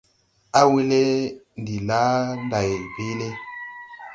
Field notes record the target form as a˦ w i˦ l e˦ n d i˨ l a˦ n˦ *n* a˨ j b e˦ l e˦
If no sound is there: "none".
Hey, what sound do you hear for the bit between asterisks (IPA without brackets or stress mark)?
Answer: d